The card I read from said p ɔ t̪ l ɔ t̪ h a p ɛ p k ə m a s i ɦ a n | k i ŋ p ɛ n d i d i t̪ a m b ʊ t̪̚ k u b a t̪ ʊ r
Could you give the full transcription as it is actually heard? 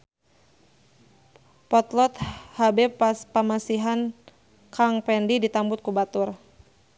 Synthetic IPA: p ɔ t̪ l ɔ t̪ h a b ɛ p p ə m a s i ɦ a n | k a ŋ p ɛ n d i d i t̪ a m b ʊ t̪̚ k u b a t̪ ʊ r